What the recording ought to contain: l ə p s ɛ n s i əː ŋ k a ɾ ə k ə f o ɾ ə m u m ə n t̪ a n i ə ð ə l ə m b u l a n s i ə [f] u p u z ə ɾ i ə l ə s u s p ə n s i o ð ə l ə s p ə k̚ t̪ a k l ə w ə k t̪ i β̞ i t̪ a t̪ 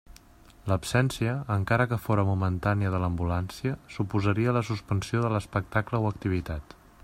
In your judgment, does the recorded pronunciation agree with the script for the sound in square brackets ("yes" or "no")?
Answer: no